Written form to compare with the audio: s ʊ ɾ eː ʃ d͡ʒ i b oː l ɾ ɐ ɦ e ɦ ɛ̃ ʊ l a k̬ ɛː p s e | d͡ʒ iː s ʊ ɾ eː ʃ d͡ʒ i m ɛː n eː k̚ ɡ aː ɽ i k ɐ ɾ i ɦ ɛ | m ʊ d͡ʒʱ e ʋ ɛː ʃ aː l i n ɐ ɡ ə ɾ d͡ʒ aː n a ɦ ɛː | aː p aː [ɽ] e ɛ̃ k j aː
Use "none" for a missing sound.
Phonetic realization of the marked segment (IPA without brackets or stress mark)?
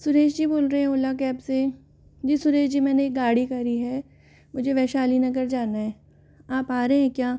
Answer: ɾ